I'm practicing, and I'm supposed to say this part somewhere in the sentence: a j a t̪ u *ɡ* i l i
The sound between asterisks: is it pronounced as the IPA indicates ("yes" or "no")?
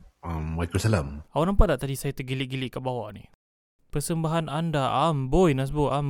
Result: yes